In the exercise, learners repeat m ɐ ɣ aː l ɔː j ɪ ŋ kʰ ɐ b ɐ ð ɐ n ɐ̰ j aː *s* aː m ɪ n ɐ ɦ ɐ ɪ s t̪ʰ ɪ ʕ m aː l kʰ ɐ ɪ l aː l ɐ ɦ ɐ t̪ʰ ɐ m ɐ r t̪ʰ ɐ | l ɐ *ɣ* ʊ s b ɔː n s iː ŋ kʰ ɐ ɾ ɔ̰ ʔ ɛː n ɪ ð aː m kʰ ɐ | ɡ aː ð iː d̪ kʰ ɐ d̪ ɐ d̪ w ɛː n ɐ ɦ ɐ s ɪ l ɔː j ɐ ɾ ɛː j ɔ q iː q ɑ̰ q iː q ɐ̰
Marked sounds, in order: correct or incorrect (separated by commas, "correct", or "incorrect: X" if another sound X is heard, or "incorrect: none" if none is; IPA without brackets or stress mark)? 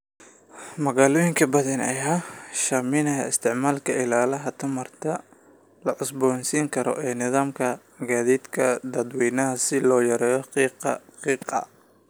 incorrect: ʃ, incorrect: ʕ